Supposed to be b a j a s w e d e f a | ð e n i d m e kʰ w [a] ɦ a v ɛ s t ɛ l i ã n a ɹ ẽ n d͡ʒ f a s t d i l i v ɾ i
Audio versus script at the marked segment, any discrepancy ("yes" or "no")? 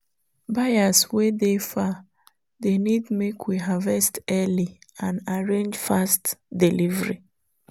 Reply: yes